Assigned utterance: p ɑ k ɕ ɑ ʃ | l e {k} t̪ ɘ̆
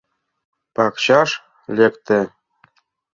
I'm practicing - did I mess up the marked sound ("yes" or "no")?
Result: no